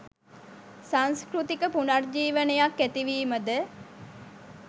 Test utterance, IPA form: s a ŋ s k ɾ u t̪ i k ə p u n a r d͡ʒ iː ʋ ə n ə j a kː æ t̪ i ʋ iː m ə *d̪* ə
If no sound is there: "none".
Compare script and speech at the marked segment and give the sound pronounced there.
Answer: d̪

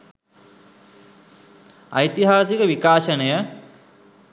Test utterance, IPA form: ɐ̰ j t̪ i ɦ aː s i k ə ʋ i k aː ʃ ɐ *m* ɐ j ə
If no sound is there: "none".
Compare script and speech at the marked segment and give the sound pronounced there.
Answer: n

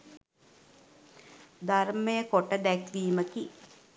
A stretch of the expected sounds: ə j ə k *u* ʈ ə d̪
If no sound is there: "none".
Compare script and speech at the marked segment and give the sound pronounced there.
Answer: o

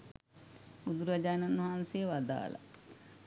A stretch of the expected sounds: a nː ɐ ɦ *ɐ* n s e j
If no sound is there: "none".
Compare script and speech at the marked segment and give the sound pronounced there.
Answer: a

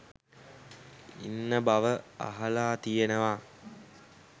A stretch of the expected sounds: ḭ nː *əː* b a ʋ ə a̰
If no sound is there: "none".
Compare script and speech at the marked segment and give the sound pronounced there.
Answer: ə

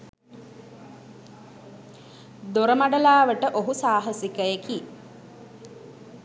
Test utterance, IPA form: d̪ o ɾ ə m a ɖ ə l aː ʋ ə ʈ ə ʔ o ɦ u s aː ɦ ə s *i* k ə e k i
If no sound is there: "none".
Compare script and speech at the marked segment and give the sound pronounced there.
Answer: i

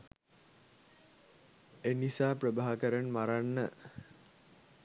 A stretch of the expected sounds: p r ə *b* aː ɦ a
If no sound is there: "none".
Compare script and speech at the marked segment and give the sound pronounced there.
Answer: b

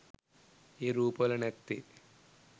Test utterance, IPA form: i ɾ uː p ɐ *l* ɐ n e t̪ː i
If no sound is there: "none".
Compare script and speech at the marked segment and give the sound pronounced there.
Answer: l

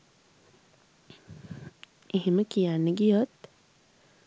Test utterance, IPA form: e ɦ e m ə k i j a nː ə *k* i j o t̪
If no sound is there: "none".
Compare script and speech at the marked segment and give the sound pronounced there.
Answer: ɡ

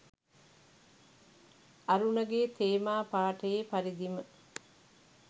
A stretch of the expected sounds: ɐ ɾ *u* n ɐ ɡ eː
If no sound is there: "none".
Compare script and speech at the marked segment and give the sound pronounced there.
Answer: u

